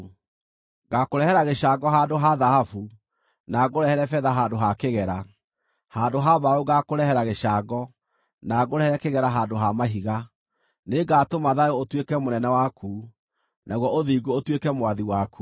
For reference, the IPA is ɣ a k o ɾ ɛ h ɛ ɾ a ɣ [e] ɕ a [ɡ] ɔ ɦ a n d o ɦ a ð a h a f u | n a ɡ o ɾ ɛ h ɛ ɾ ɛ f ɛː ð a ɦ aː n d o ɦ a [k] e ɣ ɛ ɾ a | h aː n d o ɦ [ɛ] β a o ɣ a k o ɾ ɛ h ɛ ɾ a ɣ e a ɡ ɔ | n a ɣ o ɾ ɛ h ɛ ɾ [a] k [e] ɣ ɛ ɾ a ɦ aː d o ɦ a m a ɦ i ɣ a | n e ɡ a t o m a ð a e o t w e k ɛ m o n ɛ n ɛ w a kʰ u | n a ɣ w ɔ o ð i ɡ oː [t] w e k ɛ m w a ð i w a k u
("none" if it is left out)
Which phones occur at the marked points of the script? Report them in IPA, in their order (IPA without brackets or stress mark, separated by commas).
e, ɡ, k, a, ɛ, e, t